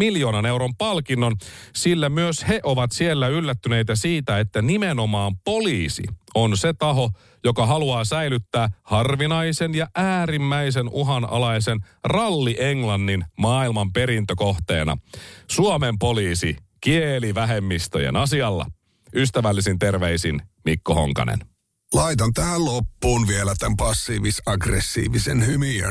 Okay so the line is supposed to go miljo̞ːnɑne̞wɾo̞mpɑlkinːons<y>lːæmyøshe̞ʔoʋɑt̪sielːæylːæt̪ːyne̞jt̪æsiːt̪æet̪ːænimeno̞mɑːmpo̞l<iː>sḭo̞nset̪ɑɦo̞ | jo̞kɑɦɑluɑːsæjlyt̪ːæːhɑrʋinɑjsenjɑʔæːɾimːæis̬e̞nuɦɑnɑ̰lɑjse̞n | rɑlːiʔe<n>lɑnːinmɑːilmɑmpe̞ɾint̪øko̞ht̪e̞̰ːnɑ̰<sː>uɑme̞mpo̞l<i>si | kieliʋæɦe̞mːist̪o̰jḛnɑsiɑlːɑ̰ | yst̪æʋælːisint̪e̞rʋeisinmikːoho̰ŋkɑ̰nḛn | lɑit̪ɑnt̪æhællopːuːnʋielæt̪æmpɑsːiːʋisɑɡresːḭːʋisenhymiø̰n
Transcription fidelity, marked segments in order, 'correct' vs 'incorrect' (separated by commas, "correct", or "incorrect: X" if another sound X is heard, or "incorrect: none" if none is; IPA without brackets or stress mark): incorrect: i, correct, incorrect: ŋ, incorrect: s, incorrect: iː